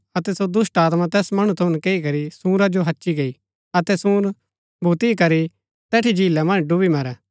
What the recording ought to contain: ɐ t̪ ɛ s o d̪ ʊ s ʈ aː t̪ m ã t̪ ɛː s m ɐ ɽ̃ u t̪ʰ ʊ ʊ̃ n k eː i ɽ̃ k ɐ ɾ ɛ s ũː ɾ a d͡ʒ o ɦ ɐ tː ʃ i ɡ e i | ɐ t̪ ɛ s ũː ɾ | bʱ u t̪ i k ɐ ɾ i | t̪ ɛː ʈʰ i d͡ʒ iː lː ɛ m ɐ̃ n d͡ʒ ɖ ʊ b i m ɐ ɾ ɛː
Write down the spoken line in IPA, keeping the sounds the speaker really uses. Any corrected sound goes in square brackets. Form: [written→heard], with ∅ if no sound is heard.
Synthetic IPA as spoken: ɐ t̪ ɛ s o d̪ ʊ s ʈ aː t̪ m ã t̪ ɛː s m ɐ ɽ̃ u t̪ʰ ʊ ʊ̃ n k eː i [ɽ̃→∅] k ɐ ɾ [ɛ→i] s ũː ɾ a d͡ʒ o ɦ ɐ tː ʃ i ɡ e i | ɐ t̪ ɛ s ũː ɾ | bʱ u t̪ i k ɐ ɾ i | t̪ ɛː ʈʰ i d͡ʒ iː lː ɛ m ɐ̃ n d͡ʒ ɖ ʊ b i m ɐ ɾ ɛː

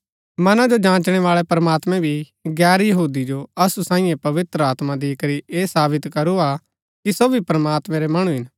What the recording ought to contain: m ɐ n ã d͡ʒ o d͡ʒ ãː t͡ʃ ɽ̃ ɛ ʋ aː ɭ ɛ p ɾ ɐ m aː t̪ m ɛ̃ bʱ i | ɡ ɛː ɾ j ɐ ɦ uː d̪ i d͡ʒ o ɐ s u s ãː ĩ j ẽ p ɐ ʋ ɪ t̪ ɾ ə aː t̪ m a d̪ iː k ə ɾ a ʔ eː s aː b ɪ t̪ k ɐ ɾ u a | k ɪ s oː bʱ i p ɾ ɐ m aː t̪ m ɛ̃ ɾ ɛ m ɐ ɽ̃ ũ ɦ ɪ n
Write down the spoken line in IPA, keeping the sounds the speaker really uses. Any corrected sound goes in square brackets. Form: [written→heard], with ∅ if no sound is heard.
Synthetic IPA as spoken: m ɐ n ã d͡ʒ o d͡ʒ ãː t͡ʃ ɽ̃ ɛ ʋ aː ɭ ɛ p ɾ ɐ m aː t̪ m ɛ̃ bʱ i | ɡ ɛː ɾ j ɐ ɦ uː d̪ i d͡ʒ o ɐ s u s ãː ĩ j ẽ p ɐ ʋ ɪ t̪ ɾ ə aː t̪ m a d̪ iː k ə ɾ [a→i] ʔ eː s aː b ɪ t̪ k ɐ ɾ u a | k [ɪ→i] s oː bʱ i p ɾ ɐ m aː t̪ m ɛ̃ ɾ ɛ m ɐ ɽ̃ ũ ɦ ɪ n

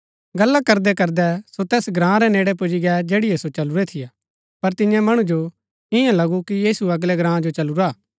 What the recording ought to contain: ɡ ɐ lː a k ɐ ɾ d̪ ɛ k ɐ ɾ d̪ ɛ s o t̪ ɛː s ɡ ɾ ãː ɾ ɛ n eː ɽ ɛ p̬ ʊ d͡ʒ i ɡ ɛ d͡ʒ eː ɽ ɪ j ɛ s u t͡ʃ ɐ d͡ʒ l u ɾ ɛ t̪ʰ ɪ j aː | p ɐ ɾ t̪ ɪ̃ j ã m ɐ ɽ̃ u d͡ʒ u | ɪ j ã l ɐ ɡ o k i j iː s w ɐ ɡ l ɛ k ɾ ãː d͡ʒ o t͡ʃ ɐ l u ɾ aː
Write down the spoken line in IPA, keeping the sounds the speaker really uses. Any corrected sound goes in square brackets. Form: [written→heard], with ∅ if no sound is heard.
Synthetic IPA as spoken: ɡ ɐ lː a k ɐ ɾ d̪ ɛ k ɐ ɾ d̪ ɛ s o t̪ ɛː s ɡ ɾ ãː ɾ ɛ n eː ɽ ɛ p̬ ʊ d͡ʒ i ɡ ɛ d͡ʒ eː ɽ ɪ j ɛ s [u→o] t͡ʃ ɐ [d͡ʒ→∅] l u ɾ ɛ t̪ʰ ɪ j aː | p ɐ ɾ t̪ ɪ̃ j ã m ɐ ɽ̃ u d͡ʒ [u→o] | ɪ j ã l ɐ ɡ [o→u] k i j iː s [w→u] ɐ ɡ l ɛ [k→ɡ] ɾ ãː d͡ʒ o t͡ʃ ɐ l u ɾ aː

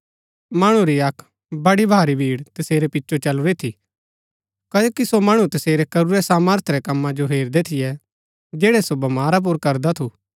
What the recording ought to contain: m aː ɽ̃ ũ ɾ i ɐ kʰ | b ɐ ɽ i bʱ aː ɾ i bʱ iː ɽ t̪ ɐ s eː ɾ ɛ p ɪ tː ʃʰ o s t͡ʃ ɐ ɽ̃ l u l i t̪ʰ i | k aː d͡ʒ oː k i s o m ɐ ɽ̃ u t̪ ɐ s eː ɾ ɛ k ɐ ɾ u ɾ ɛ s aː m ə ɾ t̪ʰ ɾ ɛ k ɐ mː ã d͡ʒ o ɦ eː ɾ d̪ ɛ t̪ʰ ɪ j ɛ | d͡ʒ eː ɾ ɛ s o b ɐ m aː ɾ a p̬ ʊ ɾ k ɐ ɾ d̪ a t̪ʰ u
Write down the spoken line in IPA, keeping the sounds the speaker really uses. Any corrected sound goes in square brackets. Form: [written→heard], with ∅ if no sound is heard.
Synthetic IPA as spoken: m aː ɽ̃ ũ ɾ i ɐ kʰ | b ɐ ɽ i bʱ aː ɾ i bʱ iː ɽ t̪ ɐ s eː ɾ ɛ p ɪ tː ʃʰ o [s→∅] t͡ʃ ɐ [ɽ̃→∅] l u [l→ɾ] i t̪ʰ i | k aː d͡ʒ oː k i s o m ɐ ɽ̃ u t̪ ɐ s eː ɾ ɛ k ɐ ɾ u ɾ ɛ s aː m ə ɾ t̪ʰ ɾ ɛ k ɐ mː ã d͡ʒ o ɦ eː ɾ d̪ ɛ t̪ʰ ɪ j ɛ | d͡ʒ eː [ɾ→ɽ] ɛ s o b ɐ m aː ɾ a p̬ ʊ ɾ k ɐ ɾ d̪ a t̪ʰ u

